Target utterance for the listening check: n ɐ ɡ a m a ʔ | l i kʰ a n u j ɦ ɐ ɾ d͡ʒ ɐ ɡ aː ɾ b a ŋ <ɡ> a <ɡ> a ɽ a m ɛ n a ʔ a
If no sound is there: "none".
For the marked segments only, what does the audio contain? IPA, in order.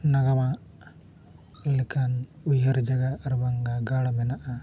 ɡ, ɡ

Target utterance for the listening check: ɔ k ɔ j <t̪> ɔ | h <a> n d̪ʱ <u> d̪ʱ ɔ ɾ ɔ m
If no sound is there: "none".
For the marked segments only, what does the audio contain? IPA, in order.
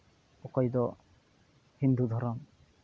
d̪, i, u

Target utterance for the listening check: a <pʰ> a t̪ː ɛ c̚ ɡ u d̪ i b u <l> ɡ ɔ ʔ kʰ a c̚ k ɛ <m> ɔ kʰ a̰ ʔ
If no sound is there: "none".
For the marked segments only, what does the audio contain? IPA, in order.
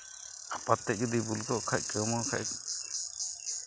p, l, m

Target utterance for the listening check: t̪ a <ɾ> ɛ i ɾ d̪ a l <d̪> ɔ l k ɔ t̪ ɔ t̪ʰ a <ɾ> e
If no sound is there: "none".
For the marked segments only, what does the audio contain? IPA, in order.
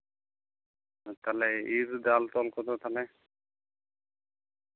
l, t̪, l

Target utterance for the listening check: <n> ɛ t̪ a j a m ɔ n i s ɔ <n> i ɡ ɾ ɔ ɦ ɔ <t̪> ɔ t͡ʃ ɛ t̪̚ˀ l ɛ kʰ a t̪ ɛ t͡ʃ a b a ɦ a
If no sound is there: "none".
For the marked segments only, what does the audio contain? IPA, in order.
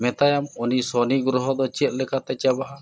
m, n, d̪

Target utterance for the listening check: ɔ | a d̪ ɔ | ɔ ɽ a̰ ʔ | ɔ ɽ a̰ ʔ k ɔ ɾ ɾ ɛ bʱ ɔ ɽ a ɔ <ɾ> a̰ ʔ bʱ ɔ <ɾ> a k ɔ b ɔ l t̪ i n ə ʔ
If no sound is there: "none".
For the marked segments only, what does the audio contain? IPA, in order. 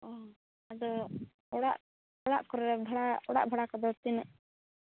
ɽ, ɽ

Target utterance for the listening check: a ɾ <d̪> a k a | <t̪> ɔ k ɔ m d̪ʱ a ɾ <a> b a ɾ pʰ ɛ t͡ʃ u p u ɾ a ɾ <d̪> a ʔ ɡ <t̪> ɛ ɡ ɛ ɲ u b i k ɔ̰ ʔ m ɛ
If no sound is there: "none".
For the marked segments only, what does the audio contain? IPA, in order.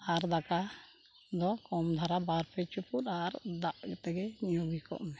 d̪, d̪, a, d̪, t̪

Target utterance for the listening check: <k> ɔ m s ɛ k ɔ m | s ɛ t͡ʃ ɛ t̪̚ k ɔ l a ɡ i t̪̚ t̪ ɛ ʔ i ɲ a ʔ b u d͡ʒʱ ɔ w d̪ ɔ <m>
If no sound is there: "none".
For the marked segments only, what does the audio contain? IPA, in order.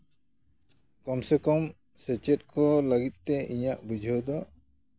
k, none

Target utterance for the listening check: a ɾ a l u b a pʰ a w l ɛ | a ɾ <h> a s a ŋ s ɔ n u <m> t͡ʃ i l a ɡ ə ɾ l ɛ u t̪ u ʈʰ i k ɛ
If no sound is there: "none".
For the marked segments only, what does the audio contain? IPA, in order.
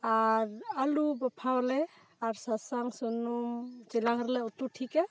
s, m

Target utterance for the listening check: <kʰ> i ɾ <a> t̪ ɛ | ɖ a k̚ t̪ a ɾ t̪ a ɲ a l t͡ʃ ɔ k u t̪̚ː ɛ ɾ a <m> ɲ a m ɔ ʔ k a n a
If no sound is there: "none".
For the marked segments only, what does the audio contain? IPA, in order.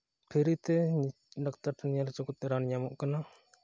pʰ, i, n

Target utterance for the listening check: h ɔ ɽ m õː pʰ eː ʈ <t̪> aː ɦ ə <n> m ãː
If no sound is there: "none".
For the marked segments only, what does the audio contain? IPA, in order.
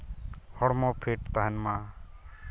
t̪, n

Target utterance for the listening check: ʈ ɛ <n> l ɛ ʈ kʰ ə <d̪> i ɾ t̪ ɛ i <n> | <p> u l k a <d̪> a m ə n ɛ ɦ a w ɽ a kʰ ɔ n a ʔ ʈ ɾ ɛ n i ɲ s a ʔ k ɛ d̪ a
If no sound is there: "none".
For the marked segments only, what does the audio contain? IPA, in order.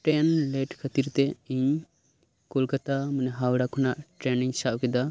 n, t̪, ɲ, k, t̪

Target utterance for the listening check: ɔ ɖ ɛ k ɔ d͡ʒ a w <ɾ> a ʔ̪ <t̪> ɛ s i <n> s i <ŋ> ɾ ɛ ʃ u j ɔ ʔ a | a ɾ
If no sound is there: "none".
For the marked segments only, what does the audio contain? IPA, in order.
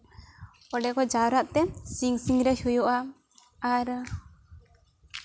ɾ, t̪, ŋ, ŋ

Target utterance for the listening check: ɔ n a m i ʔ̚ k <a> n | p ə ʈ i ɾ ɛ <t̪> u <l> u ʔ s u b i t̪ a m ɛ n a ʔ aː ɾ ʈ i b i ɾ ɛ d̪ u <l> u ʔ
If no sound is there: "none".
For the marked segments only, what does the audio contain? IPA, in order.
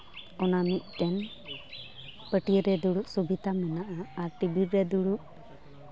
ɛ, d̪, ɽ, ɽ

